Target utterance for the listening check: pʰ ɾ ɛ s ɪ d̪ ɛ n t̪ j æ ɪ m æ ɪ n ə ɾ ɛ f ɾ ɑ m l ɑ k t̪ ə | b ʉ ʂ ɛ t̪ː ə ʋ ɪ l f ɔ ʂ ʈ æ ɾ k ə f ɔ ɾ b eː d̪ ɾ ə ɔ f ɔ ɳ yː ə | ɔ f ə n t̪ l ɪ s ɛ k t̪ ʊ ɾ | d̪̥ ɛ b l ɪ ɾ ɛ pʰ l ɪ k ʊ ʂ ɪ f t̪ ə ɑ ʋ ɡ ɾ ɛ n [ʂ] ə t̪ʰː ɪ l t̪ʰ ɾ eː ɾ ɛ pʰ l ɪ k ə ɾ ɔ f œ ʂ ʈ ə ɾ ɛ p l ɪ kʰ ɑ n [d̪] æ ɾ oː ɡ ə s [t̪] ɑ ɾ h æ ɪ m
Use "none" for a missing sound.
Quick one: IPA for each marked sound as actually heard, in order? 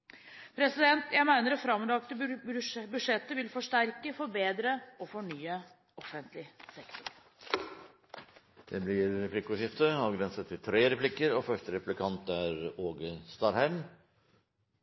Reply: s, t̪, t̪

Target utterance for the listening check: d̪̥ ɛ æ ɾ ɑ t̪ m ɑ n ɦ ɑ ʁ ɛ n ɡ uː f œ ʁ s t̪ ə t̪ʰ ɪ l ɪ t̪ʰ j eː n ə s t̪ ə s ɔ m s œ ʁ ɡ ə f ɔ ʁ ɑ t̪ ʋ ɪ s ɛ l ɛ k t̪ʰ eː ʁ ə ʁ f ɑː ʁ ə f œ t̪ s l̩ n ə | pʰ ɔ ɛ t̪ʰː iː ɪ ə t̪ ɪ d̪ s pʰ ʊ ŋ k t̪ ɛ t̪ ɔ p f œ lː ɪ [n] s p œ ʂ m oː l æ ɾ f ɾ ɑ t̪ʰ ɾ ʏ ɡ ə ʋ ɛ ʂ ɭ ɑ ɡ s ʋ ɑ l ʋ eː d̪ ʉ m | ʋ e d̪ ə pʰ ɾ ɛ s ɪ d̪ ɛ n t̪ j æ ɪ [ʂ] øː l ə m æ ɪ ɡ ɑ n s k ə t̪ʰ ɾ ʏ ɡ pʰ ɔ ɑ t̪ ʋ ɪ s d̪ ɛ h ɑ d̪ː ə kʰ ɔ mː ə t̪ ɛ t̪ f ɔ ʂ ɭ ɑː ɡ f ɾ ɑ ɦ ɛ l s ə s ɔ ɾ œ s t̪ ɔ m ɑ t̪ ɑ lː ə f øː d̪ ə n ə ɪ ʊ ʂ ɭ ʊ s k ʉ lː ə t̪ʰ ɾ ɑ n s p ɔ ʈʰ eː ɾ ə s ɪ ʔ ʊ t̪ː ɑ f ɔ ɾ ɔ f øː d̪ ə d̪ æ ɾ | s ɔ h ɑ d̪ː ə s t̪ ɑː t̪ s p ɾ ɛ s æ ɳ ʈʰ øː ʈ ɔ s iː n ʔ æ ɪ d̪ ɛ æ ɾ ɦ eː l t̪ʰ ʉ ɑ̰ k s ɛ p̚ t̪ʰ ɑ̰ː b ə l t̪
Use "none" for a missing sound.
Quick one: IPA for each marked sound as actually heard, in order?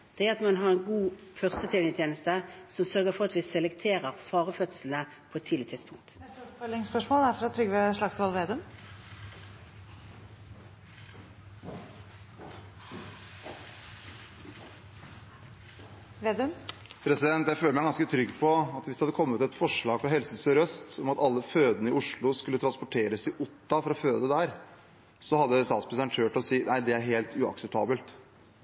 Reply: ŋ, f

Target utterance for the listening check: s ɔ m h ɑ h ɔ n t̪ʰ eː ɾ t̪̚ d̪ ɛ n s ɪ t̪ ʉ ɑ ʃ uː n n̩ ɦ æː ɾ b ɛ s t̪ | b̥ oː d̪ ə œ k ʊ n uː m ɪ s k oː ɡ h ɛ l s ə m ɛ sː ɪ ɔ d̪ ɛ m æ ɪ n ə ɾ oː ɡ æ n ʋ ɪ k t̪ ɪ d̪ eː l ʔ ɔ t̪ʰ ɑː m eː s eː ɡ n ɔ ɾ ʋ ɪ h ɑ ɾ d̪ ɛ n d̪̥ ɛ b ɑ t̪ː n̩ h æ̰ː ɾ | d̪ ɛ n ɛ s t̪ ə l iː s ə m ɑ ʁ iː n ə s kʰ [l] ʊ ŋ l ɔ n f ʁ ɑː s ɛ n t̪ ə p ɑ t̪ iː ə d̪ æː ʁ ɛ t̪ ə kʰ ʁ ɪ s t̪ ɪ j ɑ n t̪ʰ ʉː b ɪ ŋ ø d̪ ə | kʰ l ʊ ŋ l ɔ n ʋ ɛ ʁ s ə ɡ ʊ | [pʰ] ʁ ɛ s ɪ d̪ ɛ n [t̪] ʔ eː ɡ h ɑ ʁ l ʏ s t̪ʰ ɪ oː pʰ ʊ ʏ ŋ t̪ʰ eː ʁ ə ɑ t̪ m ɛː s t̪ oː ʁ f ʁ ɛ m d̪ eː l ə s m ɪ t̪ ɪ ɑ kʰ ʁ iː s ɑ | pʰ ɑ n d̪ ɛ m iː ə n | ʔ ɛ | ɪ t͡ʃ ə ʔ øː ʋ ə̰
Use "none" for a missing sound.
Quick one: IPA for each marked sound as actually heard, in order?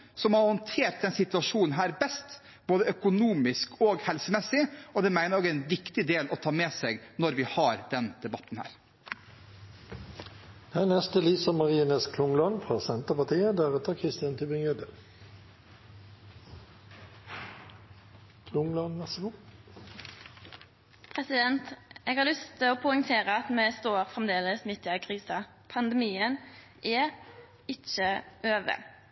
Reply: l, pʰ, t̪

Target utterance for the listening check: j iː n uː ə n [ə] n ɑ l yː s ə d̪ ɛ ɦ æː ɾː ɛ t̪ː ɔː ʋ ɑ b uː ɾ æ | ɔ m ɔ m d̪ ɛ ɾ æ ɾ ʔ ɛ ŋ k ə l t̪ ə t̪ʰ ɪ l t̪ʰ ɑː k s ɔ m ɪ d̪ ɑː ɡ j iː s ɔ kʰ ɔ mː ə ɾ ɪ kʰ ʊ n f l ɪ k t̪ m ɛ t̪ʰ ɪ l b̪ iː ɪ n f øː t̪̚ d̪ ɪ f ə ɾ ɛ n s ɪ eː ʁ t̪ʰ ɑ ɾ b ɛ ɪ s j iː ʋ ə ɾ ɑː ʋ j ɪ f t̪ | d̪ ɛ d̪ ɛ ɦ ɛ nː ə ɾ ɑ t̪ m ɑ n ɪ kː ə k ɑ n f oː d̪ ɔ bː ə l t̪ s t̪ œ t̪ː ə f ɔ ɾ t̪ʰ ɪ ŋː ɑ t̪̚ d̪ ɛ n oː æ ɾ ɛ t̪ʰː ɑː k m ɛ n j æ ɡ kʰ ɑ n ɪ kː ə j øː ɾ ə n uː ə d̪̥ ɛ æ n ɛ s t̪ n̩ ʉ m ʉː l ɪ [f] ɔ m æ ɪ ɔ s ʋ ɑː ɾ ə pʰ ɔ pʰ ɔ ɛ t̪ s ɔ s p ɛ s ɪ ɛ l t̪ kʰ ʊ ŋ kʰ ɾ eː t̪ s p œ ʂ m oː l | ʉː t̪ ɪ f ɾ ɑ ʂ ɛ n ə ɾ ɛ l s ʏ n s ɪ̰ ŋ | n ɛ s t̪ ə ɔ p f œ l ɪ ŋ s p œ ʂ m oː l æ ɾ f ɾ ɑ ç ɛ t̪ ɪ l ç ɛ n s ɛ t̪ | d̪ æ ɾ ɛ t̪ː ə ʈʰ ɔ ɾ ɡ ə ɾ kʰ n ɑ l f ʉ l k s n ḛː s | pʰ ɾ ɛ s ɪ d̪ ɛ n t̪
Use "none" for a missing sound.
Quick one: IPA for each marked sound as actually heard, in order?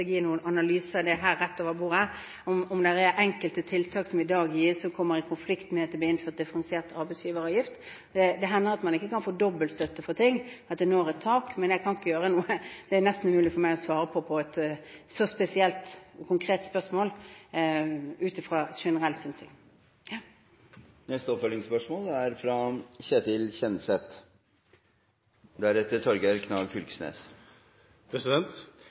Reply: ɑ, f

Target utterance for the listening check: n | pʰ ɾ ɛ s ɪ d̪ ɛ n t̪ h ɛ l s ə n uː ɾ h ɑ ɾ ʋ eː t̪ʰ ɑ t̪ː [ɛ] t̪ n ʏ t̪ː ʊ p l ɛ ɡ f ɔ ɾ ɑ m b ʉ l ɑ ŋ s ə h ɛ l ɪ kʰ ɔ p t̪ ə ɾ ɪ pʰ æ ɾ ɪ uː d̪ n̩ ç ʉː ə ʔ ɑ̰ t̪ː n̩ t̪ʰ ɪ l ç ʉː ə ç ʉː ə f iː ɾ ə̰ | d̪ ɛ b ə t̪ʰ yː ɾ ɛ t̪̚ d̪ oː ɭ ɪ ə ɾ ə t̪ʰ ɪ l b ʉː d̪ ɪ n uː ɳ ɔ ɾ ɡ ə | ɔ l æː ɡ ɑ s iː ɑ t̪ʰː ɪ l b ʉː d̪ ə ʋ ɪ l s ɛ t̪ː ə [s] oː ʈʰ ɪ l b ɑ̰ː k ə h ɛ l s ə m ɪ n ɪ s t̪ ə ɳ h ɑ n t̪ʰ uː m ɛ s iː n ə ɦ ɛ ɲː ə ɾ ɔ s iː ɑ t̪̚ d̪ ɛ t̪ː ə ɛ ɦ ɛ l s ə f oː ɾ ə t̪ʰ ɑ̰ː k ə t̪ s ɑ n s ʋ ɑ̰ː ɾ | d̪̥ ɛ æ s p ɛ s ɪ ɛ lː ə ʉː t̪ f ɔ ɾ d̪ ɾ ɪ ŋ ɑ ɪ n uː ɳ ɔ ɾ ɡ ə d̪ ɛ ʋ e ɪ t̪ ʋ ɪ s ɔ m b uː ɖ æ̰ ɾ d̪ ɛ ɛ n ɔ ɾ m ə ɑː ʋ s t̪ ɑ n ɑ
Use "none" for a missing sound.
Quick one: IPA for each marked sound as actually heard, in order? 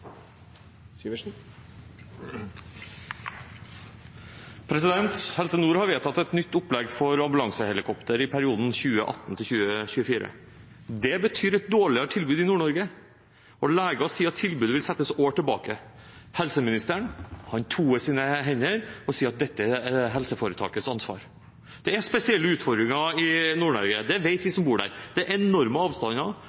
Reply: ɛ, s

